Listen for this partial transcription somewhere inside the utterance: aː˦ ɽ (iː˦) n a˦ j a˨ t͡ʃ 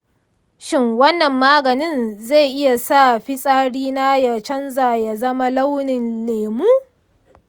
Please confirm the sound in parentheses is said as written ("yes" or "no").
yes